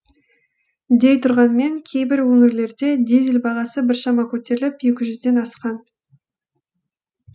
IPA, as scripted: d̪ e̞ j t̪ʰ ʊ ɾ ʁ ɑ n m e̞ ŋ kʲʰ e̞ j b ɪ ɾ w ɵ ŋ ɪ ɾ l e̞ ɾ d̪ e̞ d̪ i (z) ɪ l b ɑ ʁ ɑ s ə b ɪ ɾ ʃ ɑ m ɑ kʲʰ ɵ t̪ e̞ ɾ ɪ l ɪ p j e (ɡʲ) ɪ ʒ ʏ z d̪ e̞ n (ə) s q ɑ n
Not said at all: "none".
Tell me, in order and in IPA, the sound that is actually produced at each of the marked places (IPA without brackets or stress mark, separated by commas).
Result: z, kʲ, ɑ